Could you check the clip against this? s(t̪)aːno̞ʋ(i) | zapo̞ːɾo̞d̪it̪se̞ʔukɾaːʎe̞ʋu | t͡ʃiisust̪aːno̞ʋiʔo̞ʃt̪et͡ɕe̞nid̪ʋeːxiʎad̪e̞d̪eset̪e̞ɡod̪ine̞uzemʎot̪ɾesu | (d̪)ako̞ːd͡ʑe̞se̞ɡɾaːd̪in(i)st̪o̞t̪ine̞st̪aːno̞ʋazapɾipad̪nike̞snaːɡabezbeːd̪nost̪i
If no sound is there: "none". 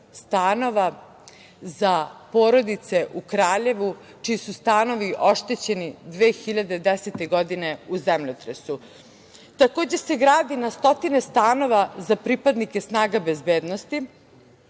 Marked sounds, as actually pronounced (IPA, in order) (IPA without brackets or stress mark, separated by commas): t̪, a, t̪, a